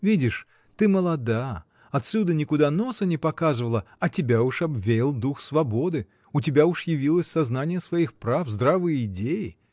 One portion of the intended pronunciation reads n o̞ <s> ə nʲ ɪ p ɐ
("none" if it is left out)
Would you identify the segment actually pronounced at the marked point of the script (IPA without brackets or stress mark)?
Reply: s